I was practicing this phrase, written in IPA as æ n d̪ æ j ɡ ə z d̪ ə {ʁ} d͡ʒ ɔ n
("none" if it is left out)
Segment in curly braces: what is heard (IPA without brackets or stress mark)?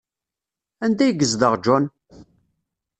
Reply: ʁ